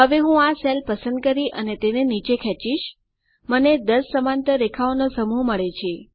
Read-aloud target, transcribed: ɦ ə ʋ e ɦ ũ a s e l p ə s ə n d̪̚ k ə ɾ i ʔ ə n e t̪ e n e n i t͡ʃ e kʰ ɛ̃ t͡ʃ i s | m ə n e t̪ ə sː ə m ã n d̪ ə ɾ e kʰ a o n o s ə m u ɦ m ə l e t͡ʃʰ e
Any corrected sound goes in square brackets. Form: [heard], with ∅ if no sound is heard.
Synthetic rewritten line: ɦ ə ʋ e ɦ ũ a s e l p ə s ə n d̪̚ k ə ɾ i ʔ ə n e t̪ e n e n i t͡ʃ e kʰ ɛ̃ t͡ʃ i [ʃ] | m ə n e [d̪] ə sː ə m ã n [t̪] ə ɾ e kʰ a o n o s ə m u ɦ m ə [ɭ] e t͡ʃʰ e